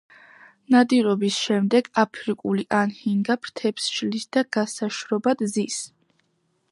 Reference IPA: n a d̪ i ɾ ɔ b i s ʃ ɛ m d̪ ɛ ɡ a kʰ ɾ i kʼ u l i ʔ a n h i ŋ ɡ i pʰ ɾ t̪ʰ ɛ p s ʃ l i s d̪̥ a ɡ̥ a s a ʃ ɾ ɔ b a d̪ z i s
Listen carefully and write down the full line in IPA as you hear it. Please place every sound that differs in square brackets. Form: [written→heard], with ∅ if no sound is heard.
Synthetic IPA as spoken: n a d̪ i ɾ ɔ b i s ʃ ɛ m d̪ ɛ ɡ a [kʰ→pʰ] ɾ i kʼ u l i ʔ a n h i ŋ ɡ [i→a] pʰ ɾ t̪ʰ ɛ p s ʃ l i s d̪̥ a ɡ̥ a s a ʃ ɾ ɔ b a d̪ z i s